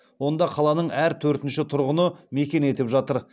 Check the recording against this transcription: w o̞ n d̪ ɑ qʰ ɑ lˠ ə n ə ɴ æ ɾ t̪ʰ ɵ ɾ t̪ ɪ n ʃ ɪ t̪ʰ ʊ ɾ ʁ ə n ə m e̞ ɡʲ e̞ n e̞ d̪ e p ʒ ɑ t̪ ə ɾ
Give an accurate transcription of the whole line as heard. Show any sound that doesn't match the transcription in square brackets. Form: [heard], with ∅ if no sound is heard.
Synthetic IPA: w o̞ n d̪ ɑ qʰ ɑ lˠ [ɑ] n ə ɴ æ ɾ t̪ʰ ɵ ɾ t̪ ɪ n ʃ ɪ t̪ʰ ʊ ɾ ʁ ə n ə m e̞ [kʲ] e̞ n e̞ [t̪] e p ʒ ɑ t̪ ə ɾ